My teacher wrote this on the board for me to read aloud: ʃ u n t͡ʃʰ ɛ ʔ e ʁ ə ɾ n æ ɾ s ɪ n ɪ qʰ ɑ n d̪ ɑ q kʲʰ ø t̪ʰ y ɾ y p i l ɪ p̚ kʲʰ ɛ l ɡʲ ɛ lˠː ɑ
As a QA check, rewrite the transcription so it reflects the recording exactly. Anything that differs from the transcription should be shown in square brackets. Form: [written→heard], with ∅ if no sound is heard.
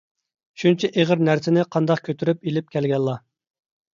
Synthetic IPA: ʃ u n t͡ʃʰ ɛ ʔ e ʁ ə ɾ n æ ɾ s ɪ n ɪ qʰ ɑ n d̪ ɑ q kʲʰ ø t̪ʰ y ɾ y p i l ɪ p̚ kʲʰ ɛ l ɡʲ ɛ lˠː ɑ